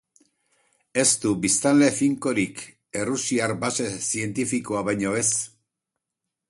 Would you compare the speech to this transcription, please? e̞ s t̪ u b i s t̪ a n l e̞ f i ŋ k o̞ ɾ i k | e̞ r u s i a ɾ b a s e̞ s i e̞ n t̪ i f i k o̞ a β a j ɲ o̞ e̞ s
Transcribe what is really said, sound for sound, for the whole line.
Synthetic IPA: e̞ s t̪ u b i s t̪ a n l e̞ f i ŋ k o̞ ɾ i k | e̞ r u s i a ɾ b a s e̞ s i e̞ n t̪ i f i k o̞ a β a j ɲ o̞ e̞ s